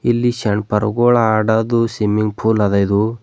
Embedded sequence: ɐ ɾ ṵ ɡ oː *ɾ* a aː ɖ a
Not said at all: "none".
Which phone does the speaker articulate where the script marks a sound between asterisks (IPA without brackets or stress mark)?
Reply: ɭ